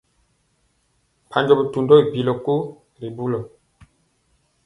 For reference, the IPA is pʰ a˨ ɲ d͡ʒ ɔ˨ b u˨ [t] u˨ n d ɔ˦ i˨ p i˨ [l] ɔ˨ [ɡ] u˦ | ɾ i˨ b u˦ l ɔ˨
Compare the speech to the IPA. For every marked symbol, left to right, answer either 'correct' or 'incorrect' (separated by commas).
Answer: correct, correct, incorrect